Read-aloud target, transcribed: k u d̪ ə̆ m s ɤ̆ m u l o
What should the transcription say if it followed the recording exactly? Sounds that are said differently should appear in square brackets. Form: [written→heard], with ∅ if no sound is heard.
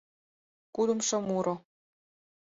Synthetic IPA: k u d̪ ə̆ m [s→ʃ] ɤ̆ m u [l→ɾ] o